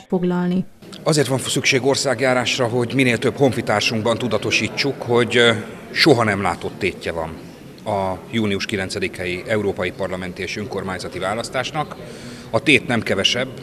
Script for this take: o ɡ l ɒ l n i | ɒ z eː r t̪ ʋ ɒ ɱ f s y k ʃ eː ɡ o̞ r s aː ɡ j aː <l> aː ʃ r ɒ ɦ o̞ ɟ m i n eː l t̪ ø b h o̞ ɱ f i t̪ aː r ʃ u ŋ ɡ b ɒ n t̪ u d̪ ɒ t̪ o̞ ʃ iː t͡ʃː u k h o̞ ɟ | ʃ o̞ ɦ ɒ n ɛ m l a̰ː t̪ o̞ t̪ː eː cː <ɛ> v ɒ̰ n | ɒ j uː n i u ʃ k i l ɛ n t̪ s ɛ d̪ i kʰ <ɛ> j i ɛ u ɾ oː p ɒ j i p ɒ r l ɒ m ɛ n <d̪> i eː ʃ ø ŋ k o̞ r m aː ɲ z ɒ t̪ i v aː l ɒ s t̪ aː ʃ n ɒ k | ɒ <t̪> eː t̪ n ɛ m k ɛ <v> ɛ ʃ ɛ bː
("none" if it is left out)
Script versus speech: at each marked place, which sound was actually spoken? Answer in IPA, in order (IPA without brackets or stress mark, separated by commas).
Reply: ɾ, ɛ, ɛ, t̪, t̪, v